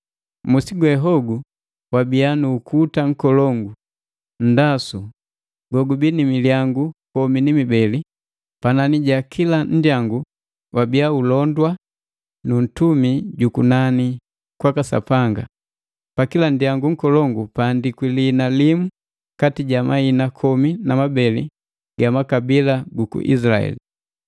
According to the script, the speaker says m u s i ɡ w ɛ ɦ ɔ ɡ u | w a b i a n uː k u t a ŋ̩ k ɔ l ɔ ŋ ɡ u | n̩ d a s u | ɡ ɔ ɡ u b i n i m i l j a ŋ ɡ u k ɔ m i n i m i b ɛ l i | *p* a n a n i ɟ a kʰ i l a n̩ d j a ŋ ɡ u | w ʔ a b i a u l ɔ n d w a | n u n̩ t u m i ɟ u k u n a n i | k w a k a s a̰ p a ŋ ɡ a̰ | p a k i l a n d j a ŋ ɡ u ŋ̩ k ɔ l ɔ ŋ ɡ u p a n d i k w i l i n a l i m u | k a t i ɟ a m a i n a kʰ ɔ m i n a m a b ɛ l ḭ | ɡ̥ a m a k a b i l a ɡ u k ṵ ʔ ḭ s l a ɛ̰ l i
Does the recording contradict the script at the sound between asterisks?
no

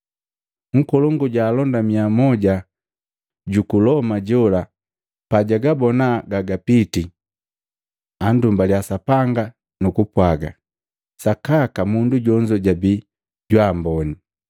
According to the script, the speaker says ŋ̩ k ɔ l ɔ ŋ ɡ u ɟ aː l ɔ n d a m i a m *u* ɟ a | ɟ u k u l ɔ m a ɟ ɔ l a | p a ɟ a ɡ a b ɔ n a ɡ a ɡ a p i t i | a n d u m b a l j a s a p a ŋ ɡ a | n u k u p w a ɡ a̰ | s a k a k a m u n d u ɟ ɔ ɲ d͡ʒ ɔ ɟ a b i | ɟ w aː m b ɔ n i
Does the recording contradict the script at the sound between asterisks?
yes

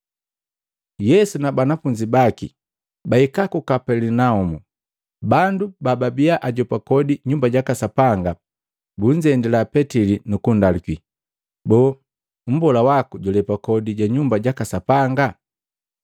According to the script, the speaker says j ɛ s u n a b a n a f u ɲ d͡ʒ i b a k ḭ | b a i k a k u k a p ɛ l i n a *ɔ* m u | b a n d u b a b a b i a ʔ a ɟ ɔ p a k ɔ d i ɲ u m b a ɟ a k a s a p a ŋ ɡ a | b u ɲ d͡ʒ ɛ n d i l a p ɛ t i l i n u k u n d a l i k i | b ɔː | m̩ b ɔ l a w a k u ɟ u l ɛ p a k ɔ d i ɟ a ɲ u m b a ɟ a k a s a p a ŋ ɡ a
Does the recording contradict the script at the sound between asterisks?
yes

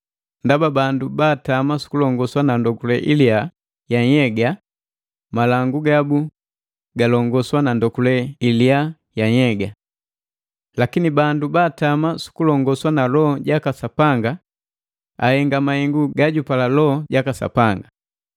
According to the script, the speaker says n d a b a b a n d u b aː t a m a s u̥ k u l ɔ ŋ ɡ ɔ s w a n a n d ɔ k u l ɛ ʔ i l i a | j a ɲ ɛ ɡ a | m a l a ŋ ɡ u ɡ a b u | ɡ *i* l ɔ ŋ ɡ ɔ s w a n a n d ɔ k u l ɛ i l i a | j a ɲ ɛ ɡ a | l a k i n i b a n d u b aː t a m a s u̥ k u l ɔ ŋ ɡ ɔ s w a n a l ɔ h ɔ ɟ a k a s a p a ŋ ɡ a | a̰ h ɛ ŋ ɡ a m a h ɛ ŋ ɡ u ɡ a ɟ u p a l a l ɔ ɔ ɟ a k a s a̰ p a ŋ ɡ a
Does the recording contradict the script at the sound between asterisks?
yes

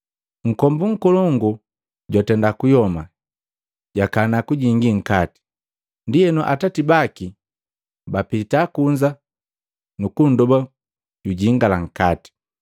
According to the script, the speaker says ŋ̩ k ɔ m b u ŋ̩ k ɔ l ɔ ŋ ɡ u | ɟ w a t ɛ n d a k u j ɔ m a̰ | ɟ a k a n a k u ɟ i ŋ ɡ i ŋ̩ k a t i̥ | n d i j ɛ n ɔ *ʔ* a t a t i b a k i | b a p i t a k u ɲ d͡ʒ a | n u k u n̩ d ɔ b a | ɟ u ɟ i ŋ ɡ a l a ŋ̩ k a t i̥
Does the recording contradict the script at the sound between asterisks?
no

